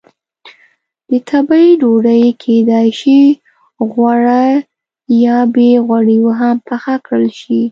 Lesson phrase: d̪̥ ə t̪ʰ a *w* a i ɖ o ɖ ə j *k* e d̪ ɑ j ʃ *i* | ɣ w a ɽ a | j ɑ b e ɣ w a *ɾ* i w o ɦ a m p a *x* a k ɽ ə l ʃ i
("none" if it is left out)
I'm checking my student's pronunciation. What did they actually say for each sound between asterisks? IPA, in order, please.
b, kʰ, i, ɽ, x

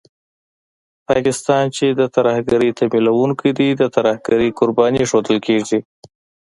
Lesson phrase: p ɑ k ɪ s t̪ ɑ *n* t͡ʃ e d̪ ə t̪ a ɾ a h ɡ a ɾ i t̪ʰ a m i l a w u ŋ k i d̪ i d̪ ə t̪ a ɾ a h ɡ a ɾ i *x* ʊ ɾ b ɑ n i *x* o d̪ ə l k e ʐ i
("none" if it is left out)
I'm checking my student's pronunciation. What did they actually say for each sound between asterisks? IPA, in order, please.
n, k, ʂ

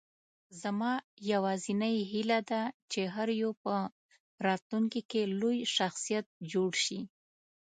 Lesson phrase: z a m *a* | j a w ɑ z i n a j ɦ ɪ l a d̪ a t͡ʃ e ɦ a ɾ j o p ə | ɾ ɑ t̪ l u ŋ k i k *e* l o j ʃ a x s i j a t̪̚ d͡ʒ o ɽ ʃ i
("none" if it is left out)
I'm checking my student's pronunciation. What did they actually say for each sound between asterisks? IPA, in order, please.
ɑ, e

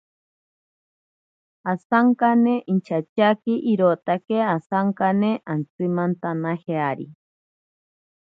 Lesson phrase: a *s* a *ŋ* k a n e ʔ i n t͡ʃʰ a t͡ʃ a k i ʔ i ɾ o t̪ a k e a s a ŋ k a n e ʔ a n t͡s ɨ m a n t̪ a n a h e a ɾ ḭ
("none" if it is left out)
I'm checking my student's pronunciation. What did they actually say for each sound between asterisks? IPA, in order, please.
s, ŋ

